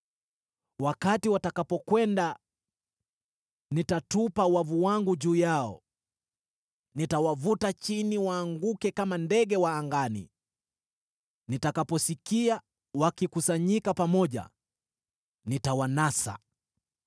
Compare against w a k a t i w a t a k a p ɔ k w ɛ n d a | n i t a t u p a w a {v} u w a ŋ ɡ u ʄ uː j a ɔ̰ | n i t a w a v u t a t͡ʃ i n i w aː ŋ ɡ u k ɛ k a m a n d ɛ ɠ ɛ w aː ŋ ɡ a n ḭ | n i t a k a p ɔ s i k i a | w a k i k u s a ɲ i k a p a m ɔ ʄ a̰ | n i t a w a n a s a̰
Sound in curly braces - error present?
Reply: no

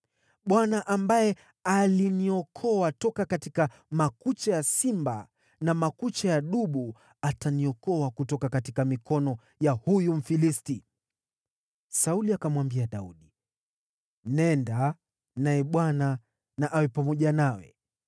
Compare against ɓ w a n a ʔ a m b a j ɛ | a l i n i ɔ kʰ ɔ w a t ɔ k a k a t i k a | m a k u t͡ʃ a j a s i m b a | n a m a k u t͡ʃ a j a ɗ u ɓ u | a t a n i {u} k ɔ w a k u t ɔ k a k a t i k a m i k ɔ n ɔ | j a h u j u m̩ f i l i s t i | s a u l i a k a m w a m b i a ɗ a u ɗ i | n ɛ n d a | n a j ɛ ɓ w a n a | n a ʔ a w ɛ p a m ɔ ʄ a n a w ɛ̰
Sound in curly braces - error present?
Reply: yes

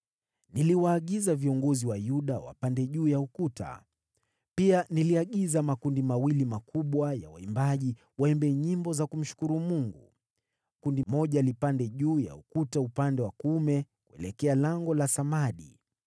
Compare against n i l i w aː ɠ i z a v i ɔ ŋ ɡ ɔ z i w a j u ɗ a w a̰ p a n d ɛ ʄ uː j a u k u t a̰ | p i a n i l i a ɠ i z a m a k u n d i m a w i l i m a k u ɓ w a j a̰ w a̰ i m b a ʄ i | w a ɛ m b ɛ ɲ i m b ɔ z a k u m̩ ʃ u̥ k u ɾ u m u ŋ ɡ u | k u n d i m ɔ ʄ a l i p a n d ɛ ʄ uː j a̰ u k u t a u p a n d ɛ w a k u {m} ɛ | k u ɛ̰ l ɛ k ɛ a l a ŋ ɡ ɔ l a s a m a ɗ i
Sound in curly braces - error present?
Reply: no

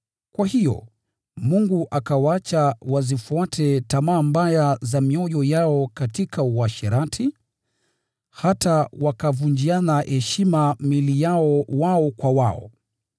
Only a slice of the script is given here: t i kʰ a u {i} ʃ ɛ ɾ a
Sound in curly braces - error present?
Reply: yes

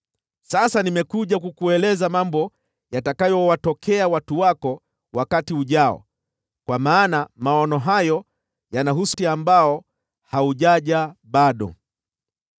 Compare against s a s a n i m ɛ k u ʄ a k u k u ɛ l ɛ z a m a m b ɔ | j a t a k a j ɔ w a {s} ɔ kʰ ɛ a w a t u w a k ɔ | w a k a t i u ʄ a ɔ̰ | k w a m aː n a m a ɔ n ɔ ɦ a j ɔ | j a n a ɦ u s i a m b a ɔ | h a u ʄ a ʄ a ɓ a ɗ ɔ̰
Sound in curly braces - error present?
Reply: yes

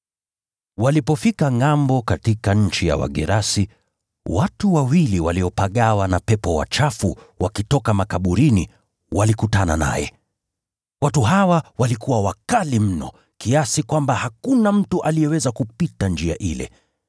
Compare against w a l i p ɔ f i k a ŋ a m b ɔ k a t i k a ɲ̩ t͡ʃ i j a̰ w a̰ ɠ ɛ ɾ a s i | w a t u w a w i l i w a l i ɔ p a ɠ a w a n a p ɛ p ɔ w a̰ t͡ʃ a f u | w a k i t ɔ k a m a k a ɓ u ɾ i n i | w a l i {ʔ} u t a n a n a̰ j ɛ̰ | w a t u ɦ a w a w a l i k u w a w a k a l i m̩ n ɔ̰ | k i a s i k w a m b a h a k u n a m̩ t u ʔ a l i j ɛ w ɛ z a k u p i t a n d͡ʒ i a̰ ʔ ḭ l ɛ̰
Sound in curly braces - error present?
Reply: yes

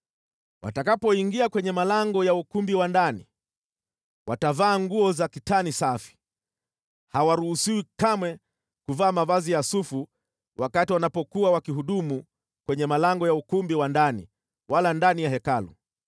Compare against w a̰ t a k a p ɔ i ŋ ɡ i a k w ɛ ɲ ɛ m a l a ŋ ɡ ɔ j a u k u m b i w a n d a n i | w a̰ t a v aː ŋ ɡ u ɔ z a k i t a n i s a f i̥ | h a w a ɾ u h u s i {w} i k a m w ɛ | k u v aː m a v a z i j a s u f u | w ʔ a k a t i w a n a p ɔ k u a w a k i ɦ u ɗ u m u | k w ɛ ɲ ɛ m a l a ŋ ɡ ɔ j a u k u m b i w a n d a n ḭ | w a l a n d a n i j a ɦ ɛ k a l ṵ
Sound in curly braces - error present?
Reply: no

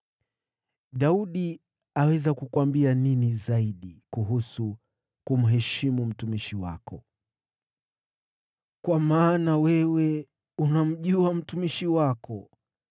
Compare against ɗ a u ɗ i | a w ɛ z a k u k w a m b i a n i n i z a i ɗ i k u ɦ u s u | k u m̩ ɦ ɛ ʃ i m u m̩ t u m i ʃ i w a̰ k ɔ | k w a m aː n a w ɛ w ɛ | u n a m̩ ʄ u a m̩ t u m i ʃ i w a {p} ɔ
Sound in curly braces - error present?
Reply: yes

